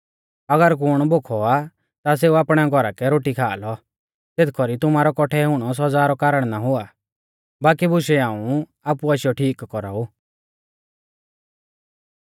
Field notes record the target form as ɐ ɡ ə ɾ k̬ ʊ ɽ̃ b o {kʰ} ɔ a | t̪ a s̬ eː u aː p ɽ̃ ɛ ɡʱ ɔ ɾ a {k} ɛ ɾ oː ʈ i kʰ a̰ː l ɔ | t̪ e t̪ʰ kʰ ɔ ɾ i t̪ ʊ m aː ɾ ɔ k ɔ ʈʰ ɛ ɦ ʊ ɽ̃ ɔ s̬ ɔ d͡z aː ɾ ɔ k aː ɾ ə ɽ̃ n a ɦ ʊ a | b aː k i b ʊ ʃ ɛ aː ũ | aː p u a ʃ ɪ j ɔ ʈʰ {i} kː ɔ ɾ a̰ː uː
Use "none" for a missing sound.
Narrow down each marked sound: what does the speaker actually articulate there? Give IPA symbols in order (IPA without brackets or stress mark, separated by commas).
kʰ, k, iː